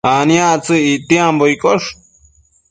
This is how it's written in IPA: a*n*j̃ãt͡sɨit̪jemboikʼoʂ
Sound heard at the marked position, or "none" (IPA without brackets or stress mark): n